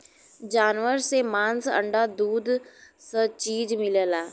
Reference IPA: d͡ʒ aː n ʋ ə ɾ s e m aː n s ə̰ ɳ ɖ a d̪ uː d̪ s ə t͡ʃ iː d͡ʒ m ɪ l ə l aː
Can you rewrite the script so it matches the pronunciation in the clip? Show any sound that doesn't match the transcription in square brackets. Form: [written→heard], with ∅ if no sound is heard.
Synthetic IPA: d͡ʒ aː n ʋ ə ɾ s e m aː n s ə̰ ɳ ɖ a d̪ uː d̪ s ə t͡ʃ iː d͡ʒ m ɪ l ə l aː